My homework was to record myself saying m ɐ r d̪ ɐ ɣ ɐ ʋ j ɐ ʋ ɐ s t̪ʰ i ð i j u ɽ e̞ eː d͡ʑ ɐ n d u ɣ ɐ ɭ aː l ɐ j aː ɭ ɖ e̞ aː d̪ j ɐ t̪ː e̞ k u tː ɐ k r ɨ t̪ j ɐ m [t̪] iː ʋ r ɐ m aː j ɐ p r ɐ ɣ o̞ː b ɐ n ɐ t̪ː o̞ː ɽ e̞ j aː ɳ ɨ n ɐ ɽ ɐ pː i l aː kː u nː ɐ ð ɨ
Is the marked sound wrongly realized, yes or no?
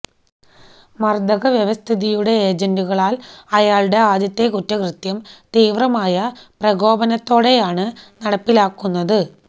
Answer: no